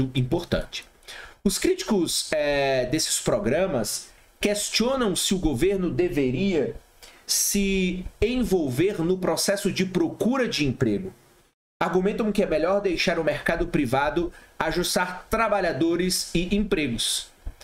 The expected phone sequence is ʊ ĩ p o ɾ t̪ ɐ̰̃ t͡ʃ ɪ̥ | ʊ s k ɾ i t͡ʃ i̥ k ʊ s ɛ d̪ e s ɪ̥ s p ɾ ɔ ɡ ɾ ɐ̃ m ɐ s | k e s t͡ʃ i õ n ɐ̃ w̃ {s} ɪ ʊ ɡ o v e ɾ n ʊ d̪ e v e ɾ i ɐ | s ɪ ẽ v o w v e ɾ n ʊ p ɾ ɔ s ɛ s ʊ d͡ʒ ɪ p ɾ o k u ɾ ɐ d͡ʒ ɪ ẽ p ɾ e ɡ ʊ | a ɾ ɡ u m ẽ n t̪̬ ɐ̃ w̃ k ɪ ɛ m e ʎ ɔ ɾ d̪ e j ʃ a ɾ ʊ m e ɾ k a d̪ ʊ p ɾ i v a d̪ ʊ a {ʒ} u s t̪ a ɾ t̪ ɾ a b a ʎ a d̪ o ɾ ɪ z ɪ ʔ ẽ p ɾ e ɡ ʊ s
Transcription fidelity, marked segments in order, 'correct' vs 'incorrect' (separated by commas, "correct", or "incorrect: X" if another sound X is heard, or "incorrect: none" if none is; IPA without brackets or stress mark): correct, correct